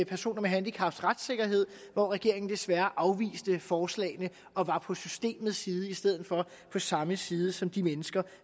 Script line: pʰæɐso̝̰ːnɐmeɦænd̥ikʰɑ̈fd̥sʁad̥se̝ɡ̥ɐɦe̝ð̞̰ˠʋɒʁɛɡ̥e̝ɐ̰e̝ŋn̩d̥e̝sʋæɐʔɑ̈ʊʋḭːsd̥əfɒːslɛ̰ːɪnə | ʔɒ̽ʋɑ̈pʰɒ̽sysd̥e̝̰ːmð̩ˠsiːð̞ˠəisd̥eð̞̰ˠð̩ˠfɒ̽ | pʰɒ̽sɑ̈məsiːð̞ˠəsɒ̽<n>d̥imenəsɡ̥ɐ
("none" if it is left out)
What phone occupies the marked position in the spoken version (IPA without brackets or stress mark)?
m